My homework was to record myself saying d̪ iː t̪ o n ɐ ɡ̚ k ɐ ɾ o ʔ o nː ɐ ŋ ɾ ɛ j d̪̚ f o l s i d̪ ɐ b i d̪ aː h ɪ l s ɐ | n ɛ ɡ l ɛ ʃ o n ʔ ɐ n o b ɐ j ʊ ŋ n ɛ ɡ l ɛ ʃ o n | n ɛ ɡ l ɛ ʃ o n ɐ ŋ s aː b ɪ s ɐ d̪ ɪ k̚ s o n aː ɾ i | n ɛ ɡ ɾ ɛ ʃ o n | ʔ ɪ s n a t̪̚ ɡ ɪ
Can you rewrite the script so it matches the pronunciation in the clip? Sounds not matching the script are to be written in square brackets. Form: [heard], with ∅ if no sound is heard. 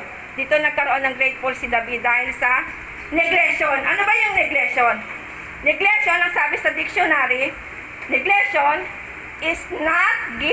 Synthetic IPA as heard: d̪ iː t̪ o n ɐ ɡ̚ k ɐ ɾ o ʔ o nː ɐ ŋ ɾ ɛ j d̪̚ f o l s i d̪ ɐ b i d̪ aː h ɪ l s ɐ | n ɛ ɡ l ɛ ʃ o n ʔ ɐ n o b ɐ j ʊ ŋ n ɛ ɡ l ɛ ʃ o n | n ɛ ɡ l ɛ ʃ o n ɐ ŋ s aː b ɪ s ɐ d̪ ɪ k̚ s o n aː ɾ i | n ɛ ɡ [l] ɛ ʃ o n | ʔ ɪ s n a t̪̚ ɡ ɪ